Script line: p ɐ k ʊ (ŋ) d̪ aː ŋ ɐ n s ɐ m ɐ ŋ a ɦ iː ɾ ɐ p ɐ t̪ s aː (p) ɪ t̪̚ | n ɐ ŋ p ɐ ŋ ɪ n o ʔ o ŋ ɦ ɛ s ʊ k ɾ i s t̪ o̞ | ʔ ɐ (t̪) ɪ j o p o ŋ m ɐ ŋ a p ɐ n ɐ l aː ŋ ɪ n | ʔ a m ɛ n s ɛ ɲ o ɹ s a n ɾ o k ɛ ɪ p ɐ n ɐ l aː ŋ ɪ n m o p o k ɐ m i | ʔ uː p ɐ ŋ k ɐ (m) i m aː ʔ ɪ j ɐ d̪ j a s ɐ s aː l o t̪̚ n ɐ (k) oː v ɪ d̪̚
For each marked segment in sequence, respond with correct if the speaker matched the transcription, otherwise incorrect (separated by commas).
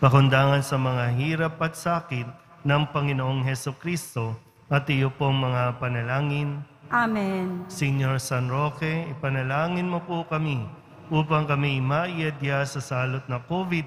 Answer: incorrect, incorrect, correct, correct, correct